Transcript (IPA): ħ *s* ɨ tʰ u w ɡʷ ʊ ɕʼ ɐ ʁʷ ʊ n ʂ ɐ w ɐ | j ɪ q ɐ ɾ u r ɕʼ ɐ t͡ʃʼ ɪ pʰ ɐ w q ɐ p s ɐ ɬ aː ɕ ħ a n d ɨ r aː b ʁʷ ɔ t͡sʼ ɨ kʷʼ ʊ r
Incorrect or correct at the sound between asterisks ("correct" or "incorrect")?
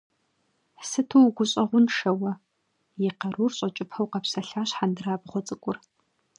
correct